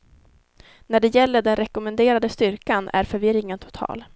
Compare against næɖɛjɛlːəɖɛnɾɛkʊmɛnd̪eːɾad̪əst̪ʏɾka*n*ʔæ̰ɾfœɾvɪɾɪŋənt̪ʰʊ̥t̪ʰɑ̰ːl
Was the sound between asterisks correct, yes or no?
yes